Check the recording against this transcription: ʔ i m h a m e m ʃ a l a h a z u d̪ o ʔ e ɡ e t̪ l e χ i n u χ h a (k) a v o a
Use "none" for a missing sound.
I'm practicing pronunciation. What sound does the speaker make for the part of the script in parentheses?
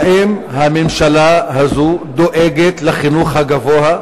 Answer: ɡ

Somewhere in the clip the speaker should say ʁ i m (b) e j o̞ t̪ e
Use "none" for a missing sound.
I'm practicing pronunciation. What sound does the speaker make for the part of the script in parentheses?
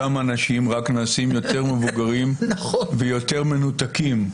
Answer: v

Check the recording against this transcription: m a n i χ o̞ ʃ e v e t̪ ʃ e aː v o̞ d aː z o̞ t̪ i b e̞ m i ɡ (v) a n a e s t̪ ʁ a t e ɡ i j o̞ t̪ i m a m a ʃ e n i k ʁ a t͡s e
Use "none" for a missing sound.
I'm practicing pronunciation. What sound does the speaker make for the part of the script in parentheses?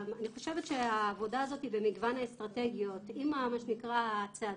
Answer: v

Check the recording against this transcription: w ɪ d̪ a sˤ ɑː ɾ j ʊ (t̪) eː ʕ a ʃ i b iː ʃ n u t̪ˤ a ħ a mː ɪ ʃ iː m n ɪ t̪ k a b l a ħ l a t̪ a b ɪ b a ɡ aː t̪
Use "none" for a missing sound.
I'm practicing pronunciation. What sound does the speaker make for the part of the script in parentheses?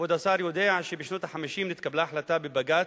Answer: d̪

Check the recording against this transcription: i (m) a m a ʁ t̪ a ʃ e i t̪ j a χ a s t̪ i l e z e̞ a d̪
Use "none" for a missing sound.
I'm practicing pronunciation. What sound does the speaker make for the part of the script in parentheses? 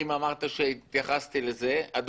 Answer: m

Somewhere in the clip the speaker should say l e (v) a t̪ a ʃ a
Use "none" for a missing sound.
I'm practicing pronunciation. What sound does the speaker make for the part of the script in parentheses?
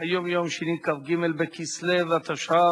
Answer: v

